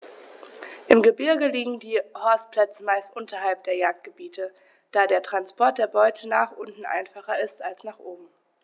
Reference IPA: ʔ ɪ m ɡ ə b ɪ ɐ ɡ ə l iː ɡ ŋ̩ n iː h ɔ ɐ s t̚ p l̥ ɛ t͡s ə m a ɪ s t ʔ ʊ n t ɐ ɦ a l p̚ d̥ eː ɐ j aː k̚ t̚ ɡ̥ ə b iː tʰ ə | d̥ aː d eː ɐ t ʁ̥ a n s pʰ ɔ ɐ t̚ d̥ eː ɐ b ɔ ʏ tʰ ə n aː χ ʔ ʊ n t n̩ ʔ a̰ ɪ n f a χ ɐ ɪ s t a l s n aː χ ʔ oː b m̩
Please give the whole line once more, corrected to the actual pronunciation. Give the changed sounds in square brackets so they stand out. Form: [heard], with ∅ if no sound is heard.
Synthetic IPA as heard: ʔ ɪ m ɡ ə b ɪ ɐ ɡ ə l iː ɡ ŋ̩ [d] iː h ɔ ɐ s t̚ p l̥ ɛ t͡s ə m a ɪ s t ʔ ʊ n t ɐ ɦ a l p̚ d̥ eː ɐ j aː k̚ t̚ ɡ̥ ə b iː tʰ ə | d̥ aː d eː ɐ t ʁ̥ a n s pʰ ɔ ɐ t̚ d̥ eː ɐ b ɔ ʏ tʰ ə n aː χ ʔ ʊ n t n̩ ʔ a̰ ɪ n f a χ ɐ ɪ s t a l s n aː χ ʔ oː b m̩